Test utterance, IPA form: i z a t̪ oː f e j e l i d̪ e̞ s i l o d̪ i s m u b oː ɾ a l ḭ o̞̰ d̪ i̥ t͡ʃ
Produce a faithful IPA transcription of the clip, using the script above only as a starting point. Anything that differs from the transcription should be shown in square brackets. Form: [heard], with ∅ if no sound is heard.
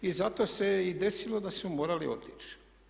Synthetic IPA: i z a t̪ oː [s] e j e [∅] i d̪ e̞ s i l o d̪ [a] s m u [m] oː ɾ a l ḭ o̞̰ [t̪] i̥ t͡ʃ